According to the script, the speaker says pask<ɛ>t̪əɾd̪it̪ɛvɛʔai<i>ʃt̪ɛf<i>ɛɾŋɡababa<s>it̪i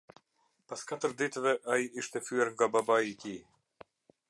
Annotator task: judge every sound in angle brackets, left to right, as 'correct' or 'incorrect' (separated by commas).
incorrect, correct, incorrect, incorrect